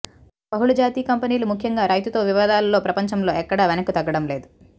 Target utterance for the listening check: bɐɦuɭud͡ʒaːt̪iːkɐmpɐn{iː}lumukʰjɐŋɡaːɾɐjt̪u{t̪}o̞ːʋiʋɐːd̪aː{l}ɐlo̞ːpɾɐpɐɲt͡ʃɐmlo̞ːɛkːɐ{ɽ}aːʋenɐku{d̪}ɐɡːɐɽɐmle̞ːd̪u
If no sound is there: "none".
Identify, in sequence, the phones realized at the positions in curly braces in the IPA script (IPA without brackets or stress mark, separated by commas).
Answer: iː, t̪, l, ɽ, t̪